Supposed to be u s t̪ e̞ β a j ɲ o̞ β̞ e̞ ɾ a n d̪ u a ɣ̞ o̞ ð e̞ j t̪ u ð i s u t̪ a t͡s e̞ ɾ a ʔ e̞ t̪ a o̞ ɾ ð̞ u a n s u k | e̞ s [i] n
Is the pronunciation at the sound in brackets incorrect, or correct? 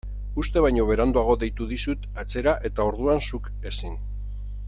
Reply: correct